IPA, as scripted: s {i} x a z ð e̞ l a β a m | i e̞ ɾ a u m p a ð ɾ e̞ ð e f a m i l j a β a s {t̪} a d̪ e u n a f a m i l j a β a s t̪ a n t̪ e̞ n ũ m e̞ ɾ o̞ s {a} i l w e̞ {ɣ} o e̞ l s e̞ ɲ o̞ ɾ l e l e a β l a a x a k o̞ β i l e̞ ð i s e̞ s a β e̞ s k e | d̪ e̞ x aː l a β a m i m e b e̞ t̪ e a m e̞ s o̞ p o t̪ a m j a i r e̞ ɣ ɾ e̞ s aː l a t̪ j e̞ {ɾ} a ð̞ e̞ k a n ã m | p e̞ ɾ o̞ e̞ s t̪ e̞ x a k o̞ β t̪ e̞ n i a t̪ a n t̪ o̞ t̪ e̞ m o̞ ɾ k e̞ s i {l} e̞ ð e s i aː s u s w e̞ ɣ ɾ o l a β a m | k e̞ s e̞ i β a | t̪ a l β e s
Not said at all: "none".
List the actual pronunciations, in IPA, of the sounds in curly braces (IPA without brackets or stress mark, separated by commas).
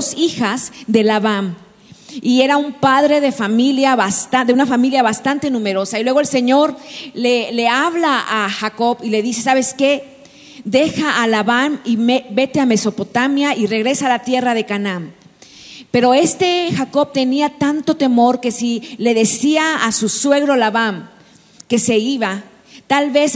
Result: i, t̪, a, ɣ, r, l